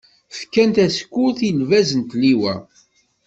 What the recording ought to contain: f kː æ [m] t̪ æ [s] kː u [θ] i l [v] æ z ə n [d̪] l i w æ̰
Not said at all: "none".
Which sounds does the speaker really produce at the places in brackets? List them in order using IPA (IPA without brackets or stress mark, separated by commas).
n, s, θ, v, t̪